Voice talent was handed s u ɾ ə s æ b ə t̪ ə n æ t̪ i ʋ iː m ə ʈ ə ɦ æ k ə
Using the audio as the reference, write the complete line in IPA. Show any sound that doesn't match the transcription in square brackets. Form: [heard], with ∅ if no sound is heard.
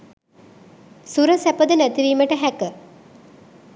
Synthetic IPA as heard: s u ɾ ə s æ [p] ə [d̪] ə n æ t̪ i ʋ iː m ə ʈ ə ɦ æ k ə